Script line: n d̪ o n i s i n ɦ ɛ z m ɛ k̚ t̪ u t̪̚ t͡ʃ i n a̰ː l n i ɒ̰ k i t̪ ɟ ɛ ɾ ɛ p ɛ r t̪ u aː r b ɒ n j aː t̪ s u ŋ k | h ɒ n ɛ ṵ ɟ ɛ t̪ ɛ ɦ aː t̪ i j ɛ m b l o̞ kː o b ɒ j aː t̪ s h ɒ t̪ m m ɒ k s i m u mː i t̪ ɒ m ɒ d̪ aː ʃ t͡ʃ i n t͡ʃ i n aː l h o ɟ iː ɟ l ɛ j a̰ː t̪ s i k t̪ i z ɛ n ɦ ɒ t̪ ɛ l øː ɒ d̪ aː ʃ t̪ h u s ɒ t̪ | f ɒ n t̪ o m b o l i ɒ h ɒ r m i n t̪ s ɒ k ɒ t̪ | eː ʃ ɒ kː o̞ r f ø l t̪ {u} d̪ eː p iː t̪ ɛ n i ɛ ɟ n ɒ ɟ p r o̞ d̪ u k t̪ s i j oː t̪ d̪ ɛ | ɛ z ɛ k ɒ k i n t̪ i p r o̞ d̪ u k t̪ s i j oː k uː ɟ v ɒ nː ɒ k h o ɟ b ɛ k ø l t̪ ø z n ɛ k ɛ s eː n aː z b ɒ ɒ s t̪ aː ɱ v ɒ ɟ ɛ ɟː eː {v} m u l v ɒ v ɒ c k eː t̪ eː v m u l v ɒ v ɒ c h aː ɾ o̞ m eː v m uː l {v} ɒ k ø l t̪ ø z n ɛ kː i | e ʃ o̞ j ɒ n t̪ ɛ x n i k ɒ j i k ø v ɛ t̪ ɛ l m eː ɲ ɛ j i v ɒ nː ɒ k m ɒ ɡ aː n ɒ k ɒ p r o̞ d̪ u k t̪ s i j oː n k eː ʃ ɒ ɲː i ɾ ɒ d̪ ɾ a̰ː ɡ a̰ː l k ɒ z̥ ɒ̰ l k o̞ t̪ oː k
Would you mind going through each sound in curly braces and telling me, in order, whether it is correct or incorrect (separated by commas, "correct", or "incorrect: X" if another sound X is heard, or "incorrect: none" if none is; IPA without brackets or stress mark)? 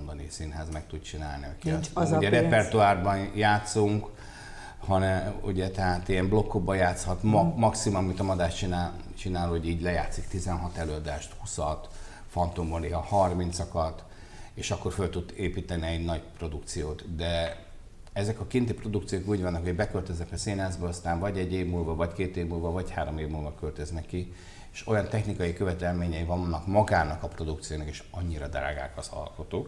correct, correct, correct